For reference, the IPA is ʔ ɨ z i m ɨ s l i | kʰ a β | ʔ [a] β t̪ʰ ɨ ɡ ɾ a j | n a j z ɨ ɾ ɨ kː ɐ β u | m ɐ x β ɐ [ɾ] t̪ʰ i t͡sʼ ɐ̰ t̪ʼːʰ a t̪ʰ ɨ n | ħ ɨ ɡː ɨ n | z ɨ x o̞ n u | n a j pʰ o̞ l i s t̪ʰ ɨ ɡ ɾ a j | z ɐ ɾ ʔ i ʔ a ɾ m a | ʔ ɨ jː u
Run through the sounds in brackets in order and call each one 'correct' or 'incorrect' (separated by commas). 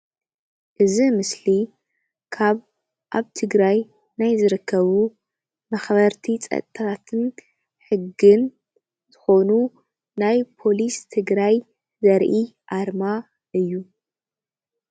correct, correct